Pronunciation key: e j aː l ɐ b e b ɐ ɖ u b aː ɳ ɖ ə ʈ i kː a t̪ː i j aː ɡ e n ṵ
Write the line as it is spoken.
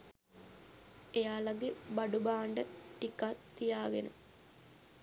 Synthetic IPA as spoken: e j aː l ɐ ɡ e b ɐ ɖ u b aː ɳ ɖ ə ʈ i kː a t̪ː i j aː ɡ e n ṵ